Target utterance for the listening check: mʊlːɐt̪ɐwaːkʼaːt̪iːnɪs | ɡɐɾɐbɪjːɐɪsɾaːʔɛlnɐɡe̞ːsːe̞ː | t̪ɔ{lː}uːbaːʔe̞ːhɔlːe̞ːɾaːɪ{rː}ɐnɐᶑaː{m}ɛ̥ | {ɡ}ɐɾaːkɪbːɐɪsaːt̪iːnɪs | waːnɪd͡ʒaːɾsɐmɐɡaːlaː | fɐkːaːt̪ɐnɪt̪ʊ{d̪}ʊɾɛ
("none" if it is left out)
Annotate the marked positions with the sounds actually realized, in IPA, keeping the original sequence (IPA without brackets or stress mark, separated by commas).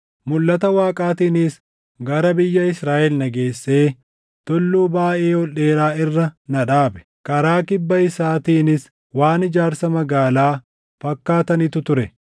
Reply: lː, rː, b, k, t̪